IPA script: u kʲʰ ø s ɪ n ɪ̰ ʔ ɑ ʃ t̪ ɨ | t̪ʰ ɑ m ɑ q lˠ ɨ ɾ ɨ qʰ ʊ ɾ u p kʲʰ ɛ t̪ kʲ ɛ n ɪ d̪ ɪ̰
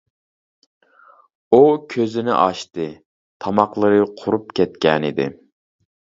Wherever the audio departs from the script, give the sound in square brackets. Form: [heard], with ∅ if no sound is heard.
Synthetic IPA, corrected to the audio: u kʲʰ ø [z] ɪ n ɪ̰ ʔ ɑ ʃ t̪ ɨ | t̪ʰ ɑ m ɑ q lˠ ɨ ɾ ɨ qʰ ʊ ɾ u p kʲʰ ɛ t̪ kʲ ɛ n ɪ d̪ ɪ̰